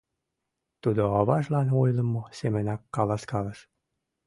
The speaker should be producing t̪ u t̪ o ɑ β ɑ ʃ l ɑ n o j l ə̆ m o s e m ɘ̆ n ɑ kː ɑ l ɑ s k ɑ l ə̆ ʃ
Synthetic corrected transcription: t̪ u d̪ o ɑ β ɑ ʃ l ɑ n o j l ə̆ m o s e m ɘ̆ n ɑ kː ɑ l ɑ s k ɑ l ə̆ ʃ